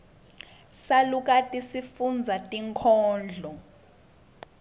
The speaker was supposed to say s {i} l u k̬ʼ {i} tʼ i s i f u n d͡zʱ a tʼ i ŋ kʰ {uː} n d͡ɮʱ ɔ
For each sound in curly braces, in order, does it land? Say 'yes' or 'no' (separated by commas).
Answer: no, no, no